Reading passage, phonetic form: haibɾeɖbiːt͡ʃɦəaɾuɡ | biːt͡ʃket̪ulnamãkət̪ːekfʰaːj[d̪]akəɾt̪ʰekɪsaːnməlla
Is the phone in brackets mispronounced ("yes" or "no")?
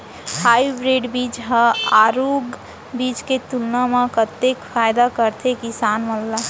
no